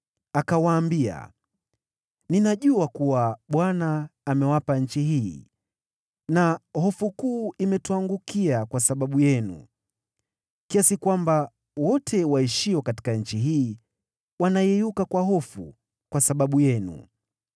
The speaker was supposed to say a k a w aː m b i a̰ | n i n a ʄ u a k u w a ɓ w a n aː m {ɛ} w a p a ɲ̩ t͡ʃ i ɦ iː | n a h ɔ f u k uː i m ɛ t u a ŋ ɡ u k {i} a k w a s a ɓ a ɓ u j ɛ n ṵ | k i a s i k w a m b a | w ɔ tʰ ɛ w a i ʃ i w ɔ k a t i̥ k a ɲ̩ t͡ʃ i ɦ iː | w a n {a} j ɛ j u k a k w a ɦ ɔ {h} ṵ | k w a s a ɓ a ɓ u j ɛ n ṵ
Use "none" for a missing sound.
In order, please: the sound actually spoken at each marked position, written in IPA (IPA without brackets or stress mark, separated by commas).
ɛ, i, a, f